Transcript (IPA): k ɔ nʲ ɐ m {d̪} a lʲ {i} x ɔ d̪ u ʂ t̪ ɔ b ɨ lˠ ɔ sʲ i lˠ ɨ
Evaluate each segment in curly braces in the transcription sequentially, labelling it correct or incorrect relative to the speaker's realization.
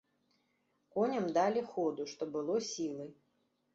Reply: correct, correct

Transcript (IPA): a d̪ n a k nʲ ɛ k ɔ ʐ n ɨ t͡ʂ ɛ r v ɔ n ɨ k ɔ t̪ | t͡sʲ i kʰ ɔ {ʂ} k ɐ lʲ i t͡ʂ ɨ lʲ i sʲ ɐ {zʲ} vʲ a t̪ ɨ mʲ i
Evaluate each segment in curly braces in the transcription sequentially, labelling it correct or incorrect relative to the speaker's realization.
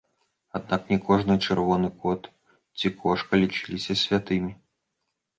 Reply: correct, incorrect: sʲ

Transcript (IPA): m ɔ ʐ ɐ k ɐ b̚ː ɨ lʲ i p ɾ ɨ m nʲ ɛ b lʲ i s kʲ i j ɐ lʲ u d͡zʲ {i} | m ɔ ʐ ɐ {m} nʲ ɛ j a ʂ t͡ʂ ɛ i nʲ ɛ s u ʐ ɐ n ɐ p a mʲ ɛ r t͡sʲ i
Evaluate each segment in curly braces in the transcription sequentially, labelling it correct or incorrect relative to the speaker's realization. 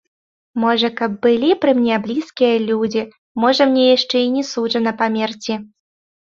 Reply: correct, correct

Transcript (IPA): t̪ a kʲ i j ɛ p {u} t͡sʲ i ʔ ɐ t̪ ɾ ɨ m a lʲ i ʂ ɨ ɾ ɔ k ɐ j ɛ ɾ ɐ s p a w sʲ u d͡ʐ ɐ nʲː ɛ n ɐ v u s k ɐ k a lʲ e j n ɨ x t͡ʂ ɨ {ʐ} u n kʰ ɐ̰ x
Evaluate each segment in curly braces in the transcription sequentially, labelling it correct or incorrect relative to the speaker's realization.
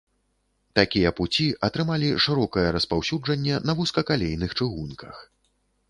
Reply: correct, incorrect: ɣ

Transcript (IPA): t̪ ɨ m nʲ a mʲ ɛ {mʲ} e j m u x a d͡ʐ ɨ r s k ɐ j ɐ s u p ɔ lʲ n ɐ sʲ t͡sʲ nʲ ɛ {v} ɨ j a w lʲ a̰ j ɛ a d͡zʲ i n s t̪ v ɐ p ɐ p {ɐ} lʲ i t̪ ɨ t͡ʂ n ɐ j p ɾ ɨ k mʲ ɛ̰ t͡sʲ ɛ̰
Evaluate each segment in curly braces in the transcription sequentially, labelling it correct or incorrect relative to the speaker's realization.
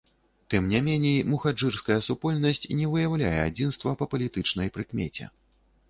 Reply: incorrect: nʲ, correct, correct

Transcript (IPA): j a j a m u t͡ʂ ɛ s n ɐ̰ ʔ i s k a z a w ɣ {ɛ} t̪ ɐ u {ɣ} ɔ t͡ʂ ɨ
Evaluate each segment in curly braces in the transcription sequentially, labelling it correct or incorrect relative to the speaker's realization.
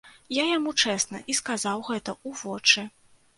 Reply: correct, incorrect: v

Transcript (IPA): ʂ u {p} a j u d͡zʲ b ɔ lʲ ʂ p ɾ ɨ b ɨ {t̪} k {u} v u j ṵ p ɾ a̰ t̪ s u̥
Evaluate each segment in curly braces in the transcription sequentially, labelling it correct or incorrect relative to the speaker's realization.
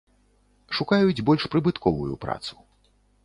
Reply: incorrect: k, correct, incorrect: ɔ

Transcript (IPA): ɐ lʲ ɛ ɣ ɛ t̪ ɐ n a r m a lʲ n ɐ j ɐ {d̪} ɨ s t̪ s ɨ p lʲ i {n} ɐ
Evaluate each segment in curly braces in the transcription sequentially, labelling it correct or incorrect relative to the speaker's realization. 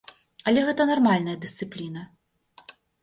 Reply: correct, correct

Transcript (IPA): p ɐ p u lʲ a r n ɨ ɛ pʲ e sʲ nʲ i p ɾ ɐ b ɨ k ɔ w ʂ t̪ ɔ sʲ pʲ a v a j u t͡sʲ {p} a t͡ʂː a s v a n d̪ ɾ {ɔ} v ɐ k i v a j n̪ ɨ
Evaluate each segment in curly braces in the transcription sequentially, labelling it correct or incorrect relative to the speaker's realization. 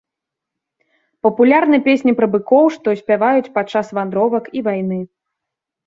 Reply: correct, correct

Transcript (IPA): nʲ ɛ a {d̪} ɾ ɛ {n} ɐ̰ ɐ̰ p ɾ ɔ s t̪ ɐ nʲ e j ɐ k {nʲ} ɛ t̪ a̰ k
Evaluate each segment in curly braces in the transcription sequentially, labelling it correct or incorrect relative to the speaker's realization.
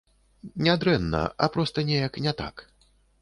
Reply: correct, incorrect: nː, correct

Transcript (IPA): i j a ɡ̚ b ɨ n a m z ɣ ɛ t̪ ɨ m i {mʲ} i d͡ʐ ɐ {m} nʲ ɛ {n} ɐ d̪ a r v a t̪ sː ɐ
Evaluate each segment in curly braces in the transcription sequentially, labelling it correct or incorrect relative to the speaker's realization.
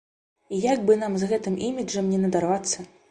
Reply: correct, correct, correct

